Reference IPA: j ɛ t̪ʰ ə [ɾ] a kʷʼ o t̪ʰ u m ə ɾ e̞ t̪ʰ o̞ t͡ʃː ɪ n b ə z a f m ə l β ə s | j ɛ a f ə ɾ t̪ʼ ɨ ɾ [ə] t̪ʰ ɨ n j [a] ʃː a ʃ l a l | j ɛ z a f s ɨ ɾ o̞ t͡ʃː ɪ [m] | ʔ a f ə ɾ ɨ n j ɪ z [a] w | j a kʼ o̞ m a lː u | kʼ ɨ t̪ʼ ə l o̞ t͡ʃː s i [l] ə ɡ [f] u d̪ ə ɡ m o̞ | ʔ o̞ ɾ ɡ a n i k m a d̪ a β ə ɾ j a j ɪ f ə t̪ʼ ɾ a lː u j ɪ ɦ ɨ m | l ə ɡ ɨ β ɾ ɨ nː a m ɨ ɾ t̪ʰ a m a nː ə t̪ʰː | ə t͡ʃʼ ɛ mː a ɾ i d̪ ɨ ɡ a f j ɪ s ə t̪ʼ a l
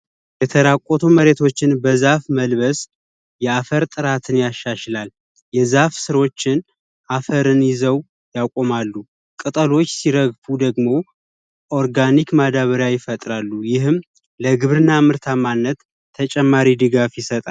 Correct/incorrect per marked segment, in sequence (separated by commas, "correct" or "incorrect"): correct, incorrect, correct, incorrect, incorrect, incorrect, correct